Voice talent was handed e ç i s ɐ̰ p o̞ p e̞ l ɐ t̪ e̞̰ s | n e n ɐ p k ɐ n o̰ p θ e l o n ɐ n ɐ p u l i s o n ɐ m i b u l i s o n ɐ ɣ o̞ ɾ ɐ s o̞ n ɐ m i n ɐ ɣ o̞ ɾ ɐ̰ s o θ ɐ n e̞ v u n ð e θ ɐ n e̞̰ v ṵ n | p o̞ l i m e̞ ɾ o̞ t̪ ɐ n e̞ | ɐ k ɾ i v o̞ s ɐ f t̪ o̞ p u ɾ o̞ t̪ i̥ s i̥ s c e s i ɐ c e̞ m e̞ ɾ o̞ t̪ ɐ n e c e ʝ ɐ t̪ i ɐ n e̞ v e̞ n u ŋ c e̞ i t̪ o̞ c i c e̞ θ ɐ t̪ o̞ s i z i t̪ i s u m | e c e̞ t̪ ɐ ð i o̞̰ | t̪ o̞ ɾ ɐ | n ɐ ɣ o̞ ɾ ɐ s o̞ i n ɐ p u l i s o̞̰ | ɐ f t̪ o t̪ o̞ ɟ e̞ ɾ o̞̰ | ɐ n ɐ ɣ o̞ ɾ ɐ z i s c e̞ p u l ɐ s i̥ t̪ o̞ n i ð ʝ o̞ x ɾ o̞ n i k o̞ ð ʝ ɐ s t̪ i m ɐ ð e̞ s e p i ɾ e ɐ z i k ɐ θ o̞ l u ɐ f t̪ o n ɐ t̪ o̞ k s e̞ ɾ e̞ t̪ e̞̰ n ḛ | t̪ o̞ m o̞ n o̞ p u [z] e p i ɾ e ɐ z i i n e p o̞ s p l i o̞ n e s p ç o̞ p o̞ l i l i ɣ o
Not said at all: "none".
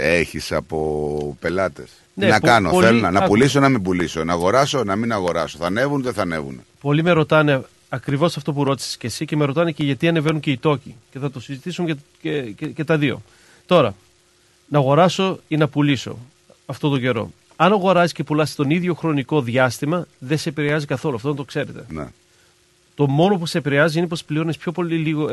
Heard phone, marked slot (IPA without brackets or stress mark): s